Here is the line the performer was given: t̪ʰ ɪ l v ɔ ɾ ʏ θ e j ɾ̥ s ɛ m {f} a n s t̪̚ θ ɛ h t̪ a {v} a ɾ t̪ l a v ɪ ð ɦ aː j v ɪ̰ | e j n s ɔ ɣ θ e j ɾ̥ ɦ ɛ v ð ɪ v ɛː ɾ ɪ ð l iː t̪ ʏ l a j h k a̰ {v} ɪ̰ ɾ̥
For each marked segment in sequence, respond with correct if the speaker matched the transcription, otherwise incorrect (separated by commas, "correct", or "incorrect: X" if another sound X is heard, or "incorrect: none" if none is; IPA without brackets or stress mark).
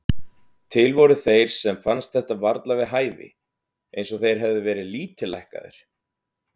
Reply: correct, correct, incorrect: ð